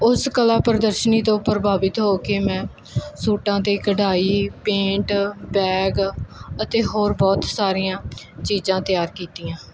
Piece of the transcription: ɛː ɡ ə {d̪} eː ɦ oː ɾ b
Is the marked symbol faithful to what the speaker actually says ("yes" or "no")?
no